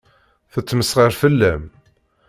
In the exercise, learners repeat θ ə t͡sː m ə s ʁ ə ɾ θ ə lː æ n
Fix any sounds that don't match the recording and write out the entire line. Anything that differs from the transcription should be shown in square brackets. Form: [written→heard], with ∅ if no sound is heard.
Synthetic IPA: θ ə t͡sː m ə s ʁ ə ɾ [θ→f] ə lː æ [n→m]